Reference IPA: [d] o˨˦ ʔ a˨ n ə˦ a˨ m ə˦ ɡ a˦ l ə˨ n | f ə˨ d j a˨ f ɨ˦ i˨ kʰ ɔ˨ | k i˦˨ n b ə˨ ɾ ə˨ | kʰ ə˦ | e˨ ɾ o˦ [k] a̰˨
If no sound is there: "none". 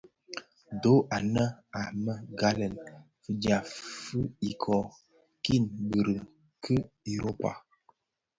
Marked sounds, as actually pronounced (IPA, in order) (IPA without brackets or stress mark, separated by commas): d, p